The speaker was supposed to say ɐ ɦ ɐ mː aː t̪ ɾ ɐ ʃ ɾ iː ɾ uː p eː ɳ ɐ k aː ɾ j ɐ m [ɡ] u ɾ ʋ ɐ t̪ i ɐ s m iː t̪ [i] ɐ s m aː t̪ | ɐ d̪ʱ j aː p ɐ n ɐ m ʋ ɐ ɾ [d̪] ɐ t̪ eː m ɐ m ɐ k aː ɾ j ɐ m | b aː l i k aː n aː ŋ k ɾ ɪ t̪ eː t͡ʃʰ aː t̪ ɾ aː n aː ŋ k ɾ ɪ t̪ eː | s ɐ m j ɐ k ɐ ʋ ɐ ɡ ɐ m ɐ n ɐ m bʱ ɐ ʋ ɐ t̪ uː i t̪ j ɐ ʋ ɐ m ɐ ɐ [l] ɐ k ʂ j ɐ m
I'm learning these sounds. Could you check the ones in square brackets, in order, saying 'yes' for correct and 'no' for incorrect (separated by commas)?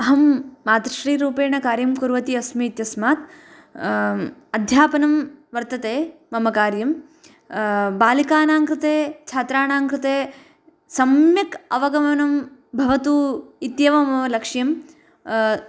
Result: no, no, no, yes